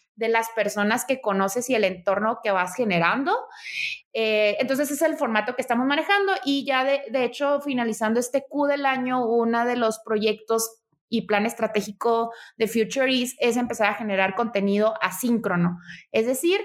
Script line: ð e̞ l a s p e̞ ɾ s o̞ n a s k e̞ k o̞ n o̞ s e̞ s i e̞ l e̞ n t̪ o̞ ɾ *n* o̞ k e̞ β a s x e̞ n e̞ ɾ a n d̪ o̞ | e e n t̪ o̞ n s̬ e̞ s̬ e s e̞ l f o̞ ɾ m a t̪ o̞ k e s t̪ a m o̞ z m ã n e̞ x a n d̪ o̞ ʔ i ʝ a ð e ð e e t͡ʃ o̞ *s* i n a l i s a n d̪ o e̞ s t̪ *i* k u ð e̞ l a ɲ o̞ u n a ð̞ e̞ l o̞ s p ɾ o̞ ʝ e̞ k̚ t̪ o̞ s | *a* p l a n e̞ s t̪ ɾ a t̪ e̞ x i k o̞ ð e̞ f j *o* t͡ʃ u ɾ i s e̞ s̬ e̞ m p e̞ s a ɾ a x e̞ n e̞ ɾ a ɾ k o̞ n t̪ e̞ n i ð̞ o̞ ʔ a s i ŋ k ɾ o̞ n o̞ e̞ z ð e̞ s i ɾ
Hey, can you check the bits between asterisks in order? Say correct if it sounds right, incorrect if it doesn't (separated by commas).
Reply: correct, incorrect, incorrect, incorrect, incorrect